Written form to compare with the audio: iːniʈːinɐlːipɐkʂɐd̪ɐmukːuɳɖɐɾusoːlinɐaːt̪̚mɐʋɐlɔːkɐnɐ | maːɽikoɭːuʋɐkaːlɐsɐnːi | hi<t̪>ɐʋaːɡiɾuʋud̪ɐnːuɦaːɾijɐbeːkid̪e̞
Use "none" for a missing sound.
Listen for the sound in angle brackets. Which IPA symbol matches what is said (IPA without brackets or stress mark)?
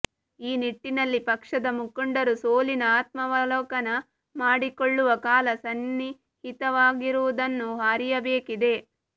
t̪